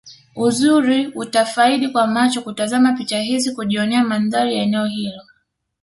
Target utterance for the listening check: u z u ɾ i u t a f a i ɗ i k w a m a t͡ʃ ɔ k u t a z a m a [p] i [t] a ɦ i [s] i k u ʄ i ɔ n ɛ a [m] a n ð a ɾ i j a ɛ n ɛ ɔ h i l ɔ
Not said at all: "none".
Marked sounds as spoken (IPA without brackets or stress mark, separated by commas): p, t͡ʃ, z, m